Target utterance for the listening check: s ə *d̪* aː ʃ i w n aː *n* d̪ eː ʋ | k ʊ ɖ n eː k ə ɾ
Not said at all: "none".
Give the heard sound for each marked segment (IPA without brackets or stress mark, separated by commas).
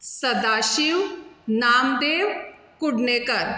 d̪, m